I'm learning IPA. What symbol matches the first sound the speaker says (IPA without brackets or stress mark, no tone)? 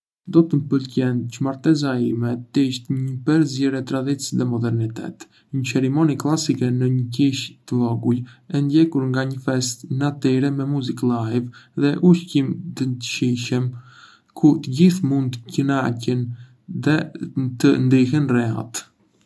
d̪